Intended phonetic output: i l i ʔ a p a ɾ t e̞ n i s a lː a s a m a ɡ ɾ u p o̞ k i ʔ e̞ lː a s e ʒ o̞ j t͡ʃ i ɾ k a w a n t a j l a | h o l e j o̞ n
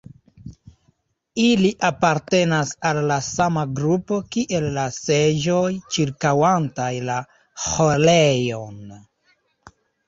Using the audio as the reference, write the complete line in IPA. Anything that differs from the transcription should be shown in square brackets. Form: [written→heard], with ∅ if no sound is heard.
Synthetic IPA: i l i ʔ a p a ɾ t e̞ n [i→a] s a lː a s a m a ɡ ɾ u p o̞ k i ʔ e̞ lː a s e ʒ o̞ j t͡ʃ i ɾ k a w a n t a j l a | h o l e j o̞ n